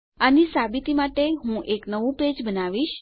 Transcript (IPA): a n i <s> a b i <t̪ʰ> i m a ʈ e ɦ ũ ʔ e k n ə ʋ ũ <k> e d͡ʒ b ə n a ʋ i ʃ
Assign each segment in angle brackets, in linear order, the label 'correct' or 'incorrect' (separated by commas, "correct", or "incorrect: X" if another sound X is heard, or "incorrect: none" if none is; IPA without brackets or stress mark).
correct, incorrect: t̪, incorrect: p